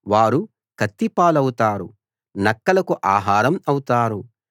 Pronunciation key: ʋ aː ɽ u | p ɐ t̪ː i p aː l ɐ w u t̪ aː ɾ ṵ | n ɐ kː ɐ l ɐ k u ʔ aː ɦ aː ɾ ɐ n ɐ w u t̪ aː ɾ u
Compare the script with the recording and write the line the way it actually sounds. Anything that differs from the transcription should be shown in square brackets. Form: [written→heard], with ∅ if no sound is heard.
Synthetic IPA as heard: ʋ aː [ɽ→ɾ] u | [p→k] ɐ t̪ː i p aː l ɐ w u t̪ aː ɾ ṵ | n ɐ kː ɐ l ɐ k u ʔ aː ɦ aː ɾ ɐ [n→m] ɐ w u t̪ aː ɾ u